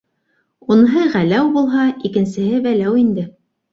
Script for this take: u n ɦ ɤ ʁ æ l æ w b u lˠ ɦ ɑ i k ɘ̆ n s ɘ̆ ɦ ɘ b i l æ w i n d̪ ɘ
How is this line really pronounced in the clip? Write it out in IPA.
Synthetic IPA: u n ɦ ɤ ʁ æ l æ w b u lˠ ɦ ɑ i k ɘ̆ n s ɘ̆ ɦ ɘ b æ l æ w i n d̪ ɘ